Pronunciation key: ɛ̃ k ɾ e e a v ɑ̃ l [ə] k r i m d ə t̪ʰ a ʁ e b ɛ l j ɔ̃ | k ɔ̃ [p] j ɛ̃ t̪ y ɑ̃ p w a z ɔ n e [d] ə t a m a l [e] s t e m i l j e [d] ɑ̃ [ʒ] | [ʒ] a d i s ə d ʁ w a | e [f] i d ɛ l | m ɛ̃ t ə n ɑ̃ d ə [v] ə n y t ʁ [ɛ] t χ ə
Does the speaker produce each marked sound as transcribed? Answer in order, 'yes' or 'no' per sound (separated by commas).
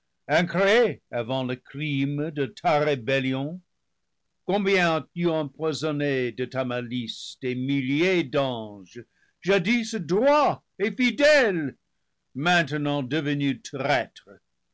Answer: yes, no, yes, no, yes, yes, yes, yes, yes, yes